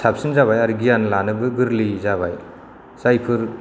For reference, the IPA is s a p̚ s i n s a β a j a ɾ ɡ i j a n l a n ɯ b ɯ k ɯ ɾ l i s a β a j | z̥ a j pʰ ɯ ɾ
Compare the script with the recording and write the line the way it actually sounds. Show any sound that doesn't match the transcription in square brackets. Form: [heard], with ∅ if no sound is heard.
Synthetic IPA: s a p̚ s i n [z] a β a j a ɾ ɡ i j a n l a n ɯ b ɯ [ɡ] ɯ ɾ l i [z] a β a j | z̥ a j pʰ ɯ ɾ